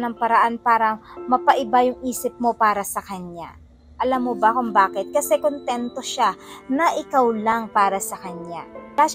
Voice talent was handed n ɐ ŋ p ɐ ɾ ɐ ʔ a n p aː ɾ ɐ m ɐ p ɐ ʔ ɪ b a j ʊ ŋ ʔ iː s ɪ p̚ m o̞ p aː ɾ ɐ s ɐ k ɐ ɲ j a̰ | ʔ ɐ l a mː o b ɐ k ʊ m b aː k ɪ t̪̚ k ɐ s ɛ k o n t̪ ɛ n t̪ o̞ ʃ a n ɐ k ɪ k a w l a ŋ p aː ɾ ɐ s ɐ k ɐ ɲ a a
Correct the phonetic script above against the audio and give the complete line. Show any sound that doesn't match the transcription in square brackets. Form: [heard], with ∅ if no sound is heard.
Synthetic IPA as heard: n ɐ ŋ p ɐ ɾ ɐ ʔ a n p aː ɾ ɐ m ɐ p ɐ ʔ ɪ b a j ʊ ŋ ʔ iː s ɪ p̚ m o̞ p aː ɾ ɐ s ɐ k ɐ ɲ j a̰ | ʔ ɐ l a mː o b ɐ k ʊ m b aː k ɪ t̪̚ k ɐ s ɛ k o n t̪ ɛ n t̪ o̞ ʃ a n ɐ [ʔ] ɪ k a w l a ŋ p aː ɾ ɐ s ɐ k ɐ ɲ a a